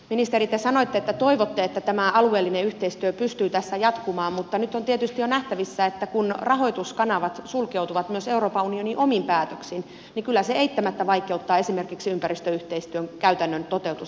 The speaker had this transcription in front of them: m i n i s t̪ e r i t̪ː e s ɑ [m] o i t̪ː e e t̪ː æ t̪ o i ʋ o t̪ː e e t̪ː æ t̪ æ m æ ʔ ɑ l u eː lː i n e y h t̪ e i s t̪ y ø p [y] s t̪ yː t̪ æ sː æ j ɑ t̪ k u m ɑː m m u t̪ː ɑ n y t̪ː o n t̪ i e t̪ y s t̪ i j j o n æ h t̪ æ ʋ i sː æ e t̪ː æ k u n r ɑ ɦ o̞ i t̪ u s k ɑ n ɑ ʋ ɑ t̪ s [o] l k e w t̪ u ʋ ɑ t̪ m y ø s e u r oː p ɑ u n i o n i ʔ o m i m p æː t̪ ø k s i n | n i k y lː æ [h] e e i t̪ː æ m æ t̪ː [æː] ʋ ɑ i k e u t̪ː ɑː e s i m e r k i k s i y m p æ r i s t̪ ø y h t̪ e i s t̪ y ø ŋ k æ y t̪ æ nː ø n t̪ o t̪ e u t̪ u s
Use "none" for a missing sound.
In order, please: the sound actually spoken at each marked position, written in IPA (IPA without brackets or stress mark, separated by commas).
n, y, u, s, æ